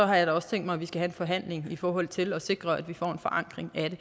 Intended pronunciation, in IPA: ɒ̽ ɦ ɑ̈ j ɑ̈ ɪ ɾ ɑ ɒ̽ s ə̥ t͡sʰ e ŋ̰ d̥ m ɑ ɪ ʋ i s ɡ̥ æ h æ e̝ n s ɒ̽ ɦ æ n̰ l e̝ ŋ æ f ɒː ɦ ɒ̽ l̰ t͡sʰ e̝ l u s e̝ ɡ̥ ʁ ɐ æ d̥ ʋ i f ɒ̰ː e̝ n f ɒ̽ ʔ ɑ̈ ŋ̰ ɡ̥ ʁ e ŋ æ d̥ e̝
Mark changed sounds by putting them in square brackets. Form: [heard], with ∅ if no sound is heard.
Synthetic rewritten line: ɒ̽ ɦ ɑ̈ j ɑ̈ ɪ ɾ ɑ ɒ̽ s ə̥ t͡sʰ e ŋ̰ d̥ m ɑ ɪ ʋ i s ɡ̥ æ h æ e̝ n [f] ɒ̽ ɦ æ n̰ l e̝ ŋ [i] f ɒː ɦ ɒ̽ l̰ t͡sʰ e̝ l [ɒ] s e̝ ɡ̥ ʁ ɐ æ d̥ ʋ i f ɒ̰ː e̝ n f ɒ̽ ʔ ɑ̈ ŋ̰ ɡ̥ ʁ e ŋ æ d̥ e̝